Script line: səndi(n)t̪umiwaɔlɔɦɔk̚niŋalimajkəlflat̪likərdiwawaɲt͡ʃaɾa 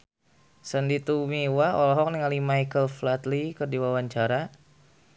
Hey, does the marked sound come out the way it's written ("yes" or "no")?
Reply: no